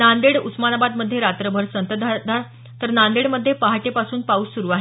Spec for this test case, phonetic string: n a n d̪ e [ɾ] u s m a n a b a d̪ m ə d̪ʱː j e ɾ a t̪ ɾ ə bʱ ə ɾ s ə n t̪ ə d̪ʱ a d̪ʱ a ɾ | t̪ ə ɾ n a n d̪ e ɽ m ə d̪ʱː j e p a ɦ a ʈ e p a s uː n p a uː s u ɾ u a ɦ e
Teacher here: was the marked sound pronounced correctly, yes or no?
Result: no